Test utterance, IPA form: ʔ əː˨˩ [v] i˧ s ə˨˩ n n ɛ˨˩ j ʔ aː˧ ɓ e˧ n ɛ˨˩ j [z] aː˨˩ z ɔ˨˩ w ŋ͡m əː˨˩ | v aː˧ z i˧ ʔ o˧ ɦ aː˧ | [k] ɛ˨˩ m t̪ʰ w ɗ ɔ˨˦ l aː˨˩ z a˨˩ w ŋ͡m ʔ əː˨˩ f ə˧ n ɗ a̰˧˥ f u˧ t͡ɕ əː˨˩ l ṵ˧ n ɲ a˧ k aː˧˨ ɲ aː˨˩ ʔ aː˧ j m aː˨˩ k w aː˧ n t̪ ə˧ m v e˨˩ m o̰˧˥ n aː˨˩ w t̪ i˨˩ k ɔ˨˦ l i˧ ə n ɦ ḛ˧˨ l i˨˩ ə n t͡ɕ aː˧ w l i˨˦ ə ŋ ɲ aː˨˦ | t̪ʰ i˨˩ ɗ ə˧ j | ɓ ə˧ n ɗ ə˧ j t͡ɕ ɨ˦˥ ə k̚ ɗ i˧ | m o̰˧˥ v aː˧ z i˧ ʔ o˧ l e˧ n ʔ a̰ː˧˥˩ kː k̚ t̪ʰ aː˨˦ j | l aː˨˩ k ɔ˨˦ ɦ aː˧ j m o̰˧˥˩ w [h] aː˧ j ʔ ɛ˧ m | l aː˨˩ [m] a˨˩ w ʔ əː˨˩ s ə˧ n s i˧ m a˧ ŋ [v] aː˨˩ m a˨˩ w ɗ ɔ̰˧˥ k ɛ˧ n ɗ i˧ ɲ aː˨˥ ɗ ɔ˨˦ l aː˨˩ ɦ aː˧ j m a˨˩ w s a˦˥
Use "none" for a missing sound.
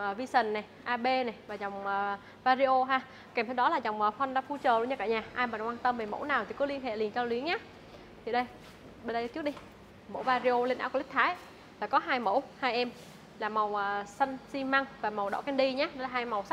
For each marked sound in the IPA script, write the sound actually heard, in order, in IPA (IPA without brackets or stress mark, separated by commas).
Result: v, v, k, h, m, v